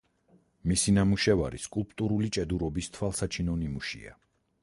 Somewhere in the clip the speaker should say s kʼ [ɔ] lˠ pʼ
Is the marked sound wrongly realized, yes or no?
yes